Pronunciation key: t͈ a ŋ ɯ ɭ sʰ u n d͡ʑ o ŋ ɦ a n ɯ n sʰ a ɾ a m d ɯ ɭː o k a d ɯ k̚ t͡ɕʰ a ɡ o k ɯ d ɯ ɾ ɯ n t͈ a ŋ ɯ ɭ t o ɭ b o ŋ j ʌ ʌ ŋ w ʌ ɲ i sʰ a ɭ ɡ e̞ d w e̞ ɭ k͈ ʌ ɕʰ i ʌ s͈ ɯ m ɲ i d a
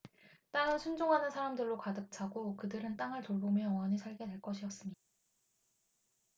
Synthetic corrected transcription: t͈ a ŋ ɯ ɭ sʰ u n d͡ʑ o ŋ ɦ a n ɯ n sʰ a ɾ a m d ɯ ɭː o k a d ɯ k̚ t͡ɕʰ a ɡ o k ɯ d ɯ ɾ ɯ n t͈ a ŋ ɯ ɭ t o ɭ b o m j ʌ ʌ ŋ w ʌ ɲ i sʰ a ɭ ɡ e̞ d w e̞ ɭ k͈ ʌ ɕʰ i ʌ s͈ ɯ m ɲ i d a

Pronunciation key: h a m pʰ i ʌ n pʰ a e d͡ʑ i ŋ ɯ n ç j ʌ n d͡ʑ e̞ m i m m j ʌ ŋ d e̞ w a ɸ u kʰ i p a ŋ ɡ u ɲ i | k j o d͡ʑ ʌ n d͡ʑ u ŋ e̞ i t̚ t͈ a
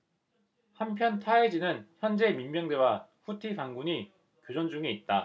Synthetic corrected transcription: h a m pʰ j ʌ n tʰ a e d͡ʑ i n ɯ n ç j ʌ n d͡ʑ e̞ m i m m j ʌ ŋ d e̞ w a ɸ u tʰ i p a ŋ ɡ u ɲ i | k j o d͡ʑ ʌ n d͡ʑ u ŋ e̞ i t̚ t͈ a

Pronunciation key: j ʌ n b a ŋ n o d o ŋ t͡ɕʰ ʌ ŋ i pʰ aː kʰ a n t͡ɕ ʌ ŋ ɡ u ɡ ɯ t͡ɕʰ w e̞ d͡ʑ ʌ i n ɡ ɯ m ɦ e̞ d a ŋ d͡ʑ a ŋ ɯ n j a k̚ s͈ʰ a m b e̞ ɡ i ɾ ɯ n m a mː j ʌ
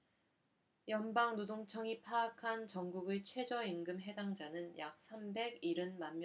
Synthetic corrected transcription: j ʌ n b a ŋ n o d o ŋ t͡ɕʰ ʌ ŋ i pʰ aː kʰ a n t͡ɕ ʌ ŋ ɡ u ɡ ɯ t͡ɕʰ w e̞ d͡ʑ ʌ i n ɡ ɯ m ɦ e̞ d a ŋ d͡ʑ a n ɯ n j a k̚ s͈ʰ a m b e̞ ɡ i ɾ ɯ n m a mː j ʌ

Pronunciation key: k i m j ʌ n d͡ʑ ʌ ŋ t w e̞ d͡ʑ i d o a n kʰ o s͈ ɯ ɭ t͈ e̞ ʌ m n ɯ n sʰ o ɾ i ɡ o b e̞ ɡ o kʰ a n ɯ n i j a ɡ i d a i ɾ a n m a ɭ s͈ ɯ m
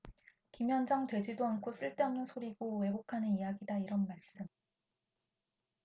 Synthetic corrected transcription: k i m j ʌ n d͡ʑ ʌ ŋ t w e̞ d͡ʑ i d o a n kʰ o s͈ ɯ ɭ t͈ e̞ ʌ m n ɯ n sʰ o ɾ i ɡ o w e̞ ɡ o kʰ a n ɯ n i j a ɡ i d a i ɾ ʌ n m a ɭ s͈ ɯ m

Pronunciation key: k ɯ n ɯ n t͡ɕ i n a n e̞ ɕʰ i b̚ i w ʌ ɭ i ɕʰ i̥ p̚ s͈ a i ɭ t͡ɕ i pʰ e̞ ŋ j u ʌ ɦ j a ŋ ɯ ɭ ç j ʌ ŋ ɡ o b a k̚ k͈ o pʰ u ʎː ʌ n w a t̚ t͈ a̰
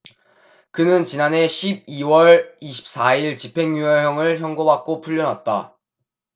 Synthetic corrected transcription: k ɯ n ɯ n t͡ɕ i n a n e̞ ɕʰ i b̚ i w ʌ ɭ i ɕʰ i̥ p̚ s͈ a i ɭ t͡ɕ i pʰ e̞ ŋ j u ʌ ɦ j ʌ ŋ ɯ ɭ ç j ʌ ŋ ɡ o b a k̚ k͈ o pʰ u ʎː ʌ n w a t̚ t͈ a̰

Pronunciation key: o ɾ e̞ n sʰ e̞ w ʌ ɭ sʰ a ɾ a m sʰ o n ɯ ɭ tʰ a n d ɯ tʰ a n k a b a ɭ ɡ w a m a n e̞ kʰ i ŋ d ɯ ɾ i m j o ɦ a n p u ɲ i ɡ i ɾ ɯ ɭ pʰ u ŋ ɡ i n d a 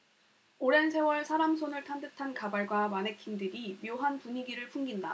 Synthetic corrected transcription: o ɾ e̞ n sʰ e̞ w ʌ ɭ sʰ a ɾ a m sʰ o n ɯ ɭ tʰ a n d ɯ tʰ a n k a b a ɭ ɡ w a m a n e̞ kʰ i n d ɯ ɾ i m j o ɦ a n p u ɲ i ɡ i ɾ ɯ ɭ pʰ u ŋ ɡ i n d a

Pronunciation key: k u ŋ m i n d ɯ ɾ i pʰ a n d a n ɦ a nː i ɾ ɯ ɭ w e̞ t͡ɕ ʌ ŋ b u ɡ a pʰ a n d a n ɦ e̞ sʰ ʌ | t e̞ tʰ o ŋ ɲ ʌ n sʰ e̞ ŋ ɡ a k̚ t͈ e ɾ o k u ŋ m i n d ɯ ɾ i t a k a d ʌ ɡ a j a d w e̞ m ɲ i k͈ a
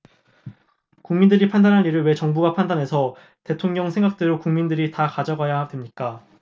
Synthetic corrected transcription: k u ŋ m i n d ɯ ɾ i pʰ a n d a n ɦ a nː i ɾ ɯ ɭ w e̞ t͡ɕ ʌ ŋ b u ɡ a pʰ a n d a n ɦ e̞ sʰ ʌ | t e̞ tʰ o ŋ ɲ ʌ ŋ sʰ e̞ ŋ ɡ a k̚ t͈ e ɾ o k u ŋ m i n d ɯ ɾ i t a k a d͡ʑ ʌ ɡ a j a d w e̞ m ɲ i k͈ a

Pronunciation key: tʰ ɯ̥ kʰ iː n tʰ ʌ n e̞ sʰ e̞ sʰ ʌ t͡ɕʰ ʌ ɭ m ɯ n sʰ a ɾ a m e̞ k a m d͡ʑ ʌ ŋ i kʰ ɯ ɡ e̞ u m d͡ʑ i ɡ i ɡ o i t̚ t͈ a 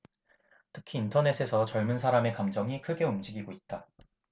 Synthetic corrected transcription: tʰ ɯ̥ kʰ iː n tʰ ʌ n e̞ sʰ e̞ sʰ ʌ t͡ɕ ʌ ɭ m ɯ n sʰ a ɾ a m e̞ k a m d͡ʑ ʌ ŋ i kʰ ɯ ɡ e̞ u m d͡ʑ i ɡ i ɡ o i t̚ t͈ a

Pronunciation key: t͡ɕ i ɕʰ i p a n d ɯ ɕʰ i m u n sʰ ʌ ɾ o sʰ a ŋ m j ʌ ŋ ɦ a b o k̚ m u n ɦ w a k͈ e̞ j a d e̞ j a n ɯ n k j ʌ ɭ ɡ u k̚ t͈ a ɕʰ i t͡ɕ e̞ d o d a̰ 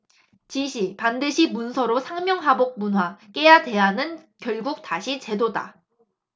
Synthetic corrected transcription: t͡ɕ i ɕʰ i p a n d ɯ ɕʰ i m u n sʰ ʌ ɾ o sʰ a ŋ m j ʌ ŋ ɦ a b o k̚ m u n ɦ w a k͈ e̞ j a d e̞ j a n ɯ n k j ʌ ɭ ɡ u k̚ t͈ a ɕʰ i t͡ɕ e̞ d o d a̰

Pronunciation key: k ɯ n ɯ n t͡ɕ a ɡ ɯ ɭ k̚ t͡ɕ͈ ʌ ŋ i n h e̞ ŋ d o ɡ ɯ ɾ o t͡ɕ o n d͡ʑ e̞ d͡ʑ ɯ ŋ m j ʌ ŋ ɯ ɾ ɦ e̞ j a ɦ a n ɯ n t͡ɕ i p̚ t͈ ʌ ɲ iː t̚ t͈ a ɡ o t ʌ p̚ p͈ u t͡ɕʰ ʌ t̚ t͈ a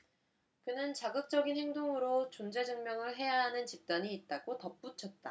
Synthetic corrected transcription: k ɯ n ɯ n t͡ɕ a ɡ ɯ k̚ t͡ɕ͈ ʌ ɡ i n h e̞ ŋ d o ŋ ɯ ɾ o t͡ɕ o n d͡ʑ e̞ d͡ʑ ɯ ŋ m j ʌ ŋ ɯ ɭ ɦ e̞ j a ɦ a n ɯ n t͡ɕ i p̚ t͈ a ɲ iː t̚ t͈ a ɡ o t ʌ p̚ p͈ u t͡ɕʰ ʌ t̚ t͈ a

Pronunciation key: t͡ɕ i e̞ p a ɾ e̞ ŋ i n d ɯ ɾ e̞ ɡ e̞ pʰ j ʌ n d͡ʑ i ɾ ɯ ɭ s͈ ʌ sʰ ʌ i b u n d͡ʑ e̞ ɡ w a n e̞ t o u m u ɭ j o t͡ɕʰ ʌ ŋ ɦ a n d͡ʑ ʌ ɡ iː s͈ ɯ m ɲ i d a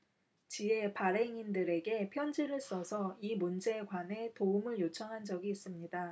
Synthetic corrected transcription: t͡ɕ i e̞ p a ɾ e̞ ŋ i n d ɯ ɾ e̞ ɡ e̞ pʰ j ʌ n d͡ʑ i ɾ ɯ ɭ s͈ ʌ sʰ ʌ i m u n d͡ʑ e̞ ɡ w a n e̞ t o u m ɯ ɭ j o t͡ɕʰ ʌ ŋ ɦ a n d͡ʑ ʌ ɡ iː s͈ ɯ m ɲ i d a

